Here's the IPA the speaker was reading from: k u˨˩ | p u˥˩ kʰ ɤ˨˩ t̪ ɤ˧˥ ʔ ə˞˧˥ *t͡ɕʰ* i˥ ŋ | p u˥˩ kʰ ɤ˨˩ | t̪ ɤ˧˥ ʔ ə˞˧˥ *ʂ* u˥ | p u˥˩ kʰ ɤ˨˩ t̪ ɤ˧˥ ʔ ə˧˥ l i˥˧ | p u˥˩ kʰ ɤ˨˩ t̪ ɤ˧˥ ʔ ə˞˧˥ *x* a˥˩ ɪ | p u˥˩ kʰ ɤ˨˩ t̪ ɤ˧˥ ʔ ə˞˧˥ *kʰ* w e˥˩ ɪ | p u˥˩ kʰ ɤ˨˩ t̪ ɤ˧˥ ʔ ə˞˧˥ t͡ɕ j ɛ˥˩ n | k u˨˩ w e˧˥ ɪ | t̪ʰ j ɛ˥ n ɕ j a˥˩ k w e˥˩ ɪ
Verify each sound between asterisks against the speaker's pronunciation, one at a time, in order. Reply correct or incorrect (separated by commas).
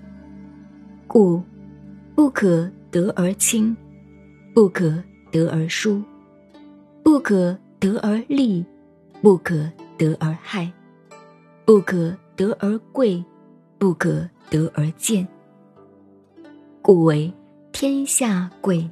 correct, correct, correct, incorrect